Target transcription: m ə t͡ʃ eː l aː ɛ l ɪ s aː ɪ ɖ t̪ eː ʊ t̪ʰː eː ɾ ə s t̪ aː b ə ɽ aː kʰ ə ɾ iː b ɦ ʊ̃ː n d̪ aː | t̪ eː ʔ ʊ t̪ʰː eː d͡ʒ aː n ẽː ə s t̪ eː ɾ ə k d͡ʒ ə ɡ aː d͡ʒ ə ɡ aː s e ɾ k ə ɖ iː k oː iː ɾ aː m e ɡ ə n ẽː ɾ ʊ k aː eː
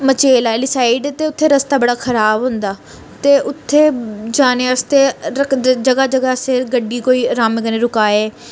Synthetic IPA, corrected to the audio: m ə t͡ʃ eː l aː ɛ l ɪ s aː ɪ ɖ t̪ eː ʊ t̪ʰː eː ɾ ə s t̪ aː b ə ɽ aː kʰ ə ɾ aː b ɦ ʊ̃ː n d̪ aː | t̪ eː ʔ ʊ t̪ʰː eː d͡ʒ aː n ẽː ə s t̪ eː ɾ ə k d͡ʒ ə ɡ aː d͡ʒ ə ɡ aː s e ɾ ɡ ə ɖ iː k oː iː ɾ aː m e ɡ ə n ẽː ɾ ʊ k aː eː

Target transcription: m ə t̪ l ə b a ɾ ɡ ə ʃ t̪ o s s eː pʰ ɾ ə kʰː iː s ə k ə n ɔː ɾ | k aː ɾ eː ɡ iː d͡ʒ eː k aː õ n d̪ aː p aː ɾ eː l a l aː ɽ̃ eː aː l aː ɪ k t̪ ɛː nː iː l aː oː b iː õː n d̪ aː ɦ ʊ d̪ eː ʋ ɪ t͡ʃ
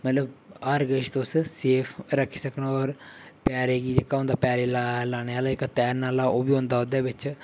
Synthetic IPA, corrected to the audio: m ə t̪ l ə b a ɾ ɡ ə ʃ t̪ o s s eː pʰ ɾ ə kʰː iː s ə k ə n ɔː ɾ | p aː ɾ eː ɡ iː d͡ʒ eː k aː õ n d̪ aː p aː ɾ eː l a l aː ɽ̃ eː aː l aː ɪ k t̪ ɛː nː aː l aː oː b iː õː n d̪ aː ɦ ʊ d̪ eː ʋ ɪ t͡ʃ

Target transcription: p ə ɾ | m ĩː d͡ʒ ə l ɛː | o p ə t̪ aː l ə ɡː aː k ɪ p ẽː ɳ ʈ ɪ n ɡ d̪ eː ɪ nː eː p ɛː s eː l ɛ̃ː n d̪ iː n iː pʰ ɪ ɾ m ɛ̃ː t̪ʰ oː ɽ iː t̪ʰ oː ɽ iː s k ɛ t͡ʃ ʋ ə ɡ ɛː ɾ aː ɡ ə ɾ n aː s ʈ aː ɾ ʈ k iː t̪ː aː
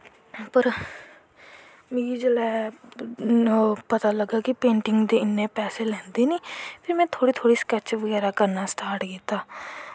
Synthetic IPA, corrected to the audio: p ə ɾ | m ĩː d͡ʒ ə l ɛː | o p ə t̪ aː l ə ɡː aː k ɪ p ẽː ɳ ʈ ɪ ŋ ɡ d̪ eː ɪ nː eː p ɛː s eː l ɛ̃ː n d̪ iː n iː pʰ ɪ ɾ m ɛ̃ː t̪ʰ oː ɽ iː t̪ʰ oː ɽ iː s k ɛ t͡ʃ ʋ ə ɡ ɛː ɾ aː k ə ɾ n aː s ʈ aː ɾ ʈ k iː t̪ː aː

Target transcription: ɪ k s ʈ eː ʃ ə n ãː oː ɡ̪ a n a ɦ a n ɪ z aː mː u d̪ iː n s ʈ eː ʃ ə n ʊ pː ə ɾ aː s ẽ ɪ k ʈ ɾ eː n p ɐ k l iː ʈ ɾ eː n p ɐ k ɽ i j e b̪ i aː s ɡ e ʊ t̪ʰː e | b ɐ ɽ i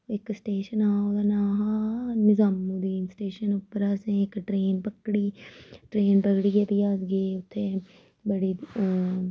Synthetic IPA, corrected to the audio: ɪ k s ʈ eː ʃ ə n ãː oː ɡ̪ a n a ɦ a n ɪ z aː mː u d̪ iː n s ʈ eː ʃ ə n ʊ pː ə ɾ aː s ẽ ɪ k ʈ ɾ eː n p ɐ k ɽ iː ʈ ɾ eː n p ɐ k ɽ i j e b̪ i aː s ɡ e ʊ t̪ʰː e | b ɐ ɽ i

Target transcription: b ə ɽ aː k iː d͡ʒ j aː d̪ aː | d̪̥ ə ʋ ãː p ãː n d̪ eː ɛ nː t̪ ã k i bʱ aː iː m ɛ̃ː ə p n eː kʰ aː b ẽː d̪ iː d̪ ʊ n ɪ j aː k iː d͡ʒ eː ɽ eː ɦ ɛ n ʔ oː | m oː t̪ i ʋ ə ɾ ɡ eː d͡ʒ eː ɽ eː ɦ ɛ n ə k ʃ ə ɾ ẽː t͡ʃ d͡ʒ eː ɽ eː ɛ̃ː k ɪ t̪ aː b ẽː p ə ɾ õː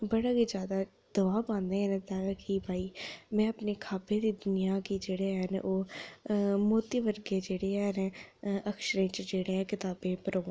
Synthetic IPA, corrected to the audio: b ə ɽ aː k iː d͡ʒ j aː d̪ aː | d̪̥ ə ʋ aː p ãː n d̪ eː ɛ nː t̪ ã k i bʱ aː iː m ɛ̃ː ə p n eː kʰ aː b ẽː d̪ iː d̪ ʊ n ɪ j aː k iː d͡ʒ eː ɽ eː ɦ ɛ n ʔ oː | m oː t̪ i ʋ ə ɾ ɡ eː d͡ʒ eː ɽ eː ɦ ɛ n ə k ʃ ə ɾ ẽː t͡ʃ d͡ʒ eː ɽ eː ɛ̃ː k ɪ t̪ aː b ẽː p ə ɾ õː

